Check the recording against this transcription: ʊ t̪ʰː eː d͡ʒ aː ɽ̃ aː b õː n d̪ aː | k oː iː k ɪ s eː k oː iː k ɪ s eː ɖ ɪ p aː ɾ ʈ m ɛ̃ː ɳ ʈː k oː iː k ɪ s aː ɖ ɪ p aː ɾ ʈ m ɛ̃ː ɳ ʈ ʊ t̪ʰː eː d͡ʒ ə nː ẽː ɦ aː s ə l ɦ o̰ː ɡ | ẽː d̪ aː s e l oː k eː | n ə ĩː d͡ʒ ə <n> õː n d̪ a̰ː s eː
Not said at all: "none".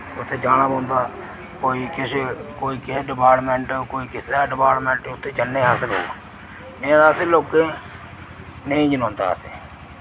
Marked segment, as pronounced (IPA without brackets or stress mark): n